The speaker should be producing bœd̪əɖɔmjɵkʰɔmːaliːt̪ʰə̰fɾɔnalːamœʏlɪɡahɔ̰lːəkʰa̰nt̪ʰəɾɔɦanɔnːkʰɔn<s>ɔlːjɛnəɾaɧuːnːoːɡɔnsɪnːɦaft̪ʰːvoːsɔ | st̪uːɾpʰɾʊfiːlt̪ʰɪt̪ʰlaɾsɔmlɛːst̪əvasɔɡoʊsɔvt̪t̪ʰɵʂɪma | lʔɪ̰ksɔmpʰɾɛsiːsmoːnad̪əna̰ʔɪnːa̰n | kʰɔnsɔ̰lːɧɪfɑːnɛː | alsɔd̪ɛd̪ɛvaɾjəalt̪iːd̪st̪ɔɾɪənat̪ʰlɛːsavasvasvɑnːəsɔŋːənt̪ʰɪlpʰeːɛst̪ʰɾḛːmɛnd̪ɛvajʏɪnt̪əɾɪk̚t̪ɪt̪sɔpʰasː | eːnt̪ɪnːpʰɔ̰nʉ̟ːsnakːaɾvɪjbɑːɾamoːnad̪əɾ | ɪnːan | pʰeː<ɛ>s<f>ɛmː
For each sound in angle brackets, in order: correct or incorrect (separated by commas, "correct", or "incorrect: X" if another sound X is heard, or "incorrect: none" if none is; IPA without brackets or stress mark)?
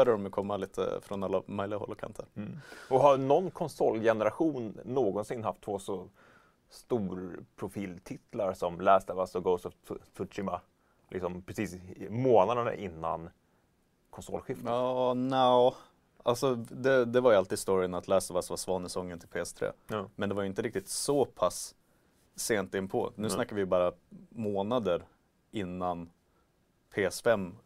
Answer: correct, correct, correct